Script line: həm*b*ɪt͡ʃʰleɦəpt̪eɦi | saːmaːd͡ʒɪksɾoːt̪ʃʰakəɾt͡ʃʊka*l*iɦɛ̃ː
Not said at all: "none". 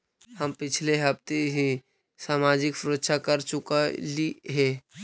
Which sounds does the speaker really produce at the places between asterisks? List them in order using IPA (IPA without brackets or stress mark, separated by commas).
p, l